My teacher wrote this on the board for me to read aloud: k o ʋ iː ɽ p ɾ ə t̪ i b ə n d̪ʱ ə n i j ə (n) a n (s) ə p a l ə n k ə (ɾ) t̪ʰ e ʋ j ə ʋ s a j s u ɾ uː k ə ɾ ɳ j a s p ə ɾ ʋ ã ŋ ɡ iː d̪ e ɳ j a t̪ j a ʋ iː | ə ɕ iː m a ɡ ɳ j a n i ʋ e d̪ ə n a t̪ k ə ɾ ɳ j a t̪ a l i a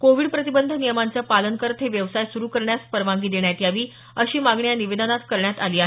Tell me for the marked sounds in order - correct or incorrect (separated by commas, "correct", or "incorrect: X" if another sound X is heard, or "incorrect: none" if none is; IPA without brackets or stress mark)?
incorrect: m, incorrect: t͡s, correct